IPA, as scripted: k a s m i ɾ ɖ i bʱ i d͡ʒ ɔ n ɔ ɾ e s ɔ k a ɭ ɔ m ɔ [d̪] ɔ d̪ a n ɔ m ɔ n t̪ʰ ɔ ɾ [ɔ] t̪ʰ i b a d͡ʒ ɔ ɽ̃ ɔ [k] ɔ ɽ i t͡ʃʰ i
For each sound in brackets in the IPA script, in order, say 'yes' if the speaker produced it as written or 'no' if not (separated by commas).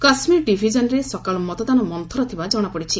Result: no, yes, no